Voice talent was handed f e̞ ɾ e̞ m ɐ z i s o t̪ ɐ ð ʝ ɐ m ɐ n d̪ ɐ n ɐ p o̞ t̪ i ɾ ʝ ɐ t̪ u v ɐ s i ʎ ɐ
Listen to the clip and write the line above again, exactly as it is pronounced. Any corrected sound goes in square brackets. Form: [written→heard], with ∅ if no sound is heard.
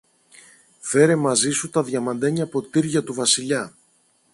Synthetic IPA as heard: f e̞ ɾ e̞ m ɐ z i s [o→u] t̪ ɐ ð ʝ ɐ m ɐ n d̪ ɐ [n→ɲ] ɐ p o̞ t̪ i ɾ ʝ ɐ t̪ u v ɐ s i ʎ ɐ